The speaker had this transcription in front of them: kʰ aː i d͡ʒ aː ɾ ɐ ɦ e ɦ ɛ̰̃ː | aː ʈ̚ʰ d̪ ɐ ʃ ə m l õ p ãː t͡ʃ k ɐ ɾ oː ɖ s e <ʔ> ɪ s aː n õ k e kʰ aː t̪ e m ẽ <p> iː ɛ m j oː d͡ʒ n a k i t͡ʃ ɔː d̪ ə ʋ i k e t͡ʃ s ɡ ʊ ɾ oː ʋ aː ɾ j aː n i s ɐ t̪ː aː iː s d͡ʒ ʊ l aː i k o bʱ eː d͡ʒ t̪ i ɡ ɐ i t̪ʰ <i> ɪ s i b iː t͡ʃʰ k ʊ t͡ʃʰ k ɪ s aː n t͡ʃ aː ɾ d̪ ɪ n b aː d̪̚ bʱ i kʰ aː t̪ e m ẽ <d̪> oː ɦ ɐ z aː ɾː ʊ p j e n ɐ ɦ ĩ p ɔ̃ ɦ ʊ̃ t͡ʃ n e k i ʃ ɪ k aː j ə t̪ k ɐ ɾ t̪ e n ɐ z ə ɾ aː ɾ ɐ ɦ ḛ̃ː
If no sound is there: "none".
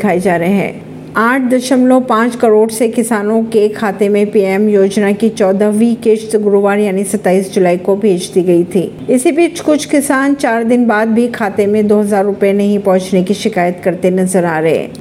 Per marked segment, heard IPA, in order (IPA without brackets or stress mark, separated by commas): k, p, iː, d̪